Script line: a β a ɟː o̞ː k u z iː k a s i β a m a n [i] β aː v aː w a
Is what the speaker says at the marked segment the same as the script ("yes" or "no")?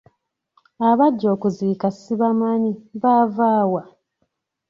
yes